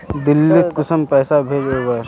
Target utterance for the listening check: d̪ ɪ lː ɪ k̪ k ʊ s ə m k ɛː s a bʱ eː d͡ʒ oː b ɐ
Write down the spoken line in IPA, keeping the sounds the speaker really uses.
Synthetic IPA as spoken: d̪ ɪ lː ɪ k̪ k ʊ s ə m p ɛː s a bʱ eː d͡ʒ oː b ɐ